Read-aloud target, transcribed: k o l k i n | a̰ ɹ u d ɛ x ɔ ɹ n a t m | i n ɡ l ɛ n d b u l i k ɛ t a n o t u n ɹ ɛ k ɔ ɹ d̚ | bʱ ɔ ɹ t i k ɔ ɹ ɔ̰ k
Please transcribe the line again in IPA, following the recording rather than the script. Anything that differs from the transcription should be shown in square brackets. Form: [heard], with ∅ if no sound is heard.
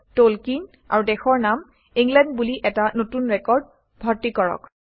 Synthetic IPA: [t] o l k i n | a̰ ɹ u d ɛ x ɔ ɹ n a [∅] m | i [ŋ] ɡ l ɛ n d b u l i [ʔ] ɛ t a n o t u n ɹ ɛ k ɔ ɹ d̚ | bʱ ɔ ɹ t i k ɔ ɹ ɔ̰ k